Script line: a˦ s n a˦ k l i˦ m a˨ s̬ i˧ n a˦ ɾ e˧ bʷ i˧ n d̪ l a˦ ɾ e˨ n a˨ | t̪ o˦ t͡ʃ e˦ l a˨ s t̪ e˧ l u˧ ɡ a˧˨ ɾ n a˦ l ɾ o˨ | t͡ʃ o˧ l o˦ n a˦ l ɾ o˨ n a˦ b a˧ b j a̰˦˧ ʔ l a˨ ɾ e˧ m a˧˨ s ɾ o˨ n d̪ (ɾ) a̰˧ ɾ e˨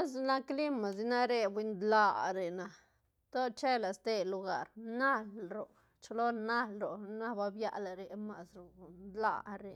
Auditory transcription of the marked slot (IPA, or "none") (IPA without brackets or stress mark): l